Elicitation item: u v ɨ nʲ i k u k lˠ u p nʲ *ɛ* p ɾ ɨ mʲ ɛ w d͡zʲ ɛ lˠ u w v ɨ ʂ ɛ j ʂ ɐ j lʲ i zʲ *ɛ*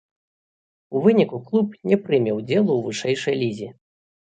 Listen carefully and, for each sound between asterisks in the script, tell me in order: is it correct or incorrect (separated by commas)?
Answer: correct, incorrect